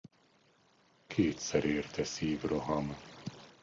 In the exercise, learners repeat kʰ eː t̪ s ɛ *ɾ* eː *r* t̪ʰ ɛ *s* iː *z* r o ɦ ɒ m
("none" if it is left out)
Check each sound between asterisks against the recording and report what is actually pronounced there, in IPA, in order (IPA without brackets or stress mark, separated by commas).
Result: ɾ, r, s, v